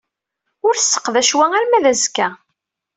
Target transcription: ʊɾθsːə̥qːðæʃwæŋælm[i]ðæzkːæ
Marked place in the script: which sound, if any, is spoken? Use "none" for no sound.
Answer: æ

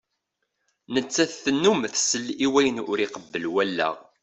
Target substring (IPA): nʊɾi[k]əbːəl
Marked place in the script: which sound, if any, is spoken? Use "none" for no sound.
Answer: q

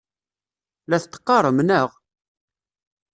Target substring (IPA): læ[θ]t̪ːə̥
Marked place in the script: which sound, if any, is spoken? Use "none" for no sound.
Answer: θ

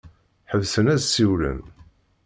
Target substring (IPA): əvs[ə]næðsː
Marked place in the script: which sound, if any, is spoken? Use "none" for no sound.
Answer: ə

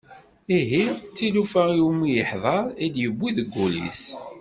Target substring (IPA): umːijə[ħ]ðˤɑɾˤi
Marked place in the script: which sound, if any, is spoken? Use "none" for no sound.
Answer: ħ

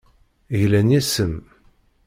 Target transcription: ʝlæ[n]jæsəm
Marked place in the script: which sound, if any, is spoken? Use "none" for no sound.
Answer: n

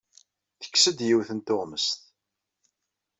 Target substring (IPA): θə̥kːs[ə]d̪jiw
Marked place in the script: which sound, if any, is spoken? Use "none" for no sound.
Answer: ə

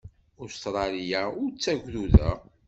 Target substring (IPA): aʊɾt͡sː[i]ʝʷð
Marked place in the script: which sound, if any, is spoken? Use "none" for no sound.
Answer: æ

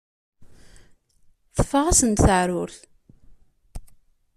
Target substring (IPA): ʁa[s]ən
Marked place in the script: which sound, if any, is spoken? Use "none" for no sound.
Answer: s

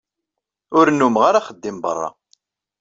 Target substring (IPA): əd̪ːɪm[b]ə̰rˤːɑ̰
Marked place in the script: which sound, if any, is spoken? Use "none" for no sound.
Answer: b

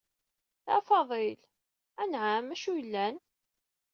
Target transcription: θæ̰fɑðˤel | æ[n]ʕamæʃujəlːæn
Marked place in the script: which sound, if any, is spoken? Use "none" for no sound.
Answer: n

